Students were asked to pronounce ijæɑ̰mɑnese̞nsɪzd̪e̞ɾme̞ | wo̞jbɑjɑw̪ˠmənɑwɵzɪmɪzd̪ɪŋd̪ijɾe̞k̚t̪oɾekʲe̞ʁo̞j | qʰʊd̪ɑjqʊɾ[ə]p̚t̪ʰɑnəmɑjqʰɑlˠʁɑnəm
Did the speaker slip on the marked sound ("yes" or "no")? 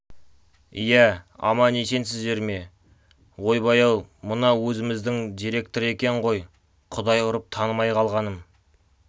no